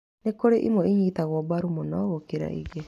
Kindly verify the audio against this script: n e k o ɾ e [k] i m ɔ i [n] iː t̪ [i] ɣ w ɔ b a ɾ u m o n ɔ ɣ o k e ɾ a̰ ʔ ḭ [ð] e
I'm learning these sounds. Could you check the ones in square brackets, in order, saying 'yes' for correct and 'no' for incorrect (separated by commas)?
no, no, no, no